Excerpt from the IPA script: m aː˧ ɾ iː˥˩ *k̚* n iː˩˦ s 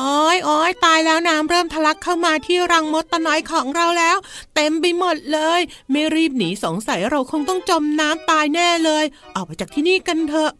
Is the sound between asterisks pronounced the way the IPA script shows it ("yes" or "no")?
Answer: no